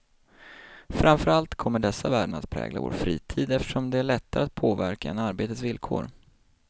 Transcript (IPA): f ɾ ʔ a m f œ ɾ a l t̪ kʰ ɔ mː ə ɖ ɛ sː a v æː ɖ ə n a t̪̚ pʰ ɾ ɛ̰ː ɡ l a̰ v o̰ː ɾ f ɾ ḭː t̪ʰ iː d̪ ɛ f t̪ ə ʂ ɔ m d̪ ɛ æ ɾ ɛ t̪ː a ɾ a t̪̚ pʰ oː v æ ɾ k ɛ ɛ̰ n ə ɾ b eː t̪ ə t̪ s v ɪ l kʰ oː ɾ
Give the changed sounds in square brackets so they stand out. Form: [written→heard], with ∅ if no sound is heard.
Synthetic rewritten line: f ɾ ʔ a m f œ ɾ a l t̪ kʰ ɔ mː ə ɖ ɛ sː a v æː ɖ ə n a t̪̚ pʰ ɾ ɛ̰ː ɡ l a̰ v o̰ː ɾ f ɾ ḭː t̪ʰ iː d̪ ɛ f t̪ ə ʂ ɔ m d̪ ɛ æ [ɾ→ɭ] ɛ t̪ː a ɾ a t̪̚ pʰ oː v æ ɾ k [ɛ→a] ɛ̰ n [ə→a] ɾ b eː t̪ ə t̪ s v ɪ l kʰ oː ɾ